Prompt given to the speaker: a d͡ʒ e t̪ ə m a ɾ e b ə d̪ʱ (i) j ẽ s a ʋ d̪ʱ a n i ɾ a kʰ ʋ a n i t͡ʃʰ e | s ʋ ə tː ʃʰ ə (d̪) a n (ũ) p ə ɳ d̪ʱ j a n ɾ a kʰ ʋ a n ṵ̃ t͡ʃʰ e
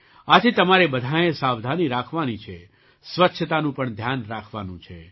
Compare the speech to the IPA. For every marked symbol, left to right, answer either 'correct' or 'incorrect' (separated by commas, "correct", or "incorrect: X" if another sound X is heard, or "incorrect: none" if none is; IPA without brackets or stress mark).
incorrect: a, incorrect: t̪, correct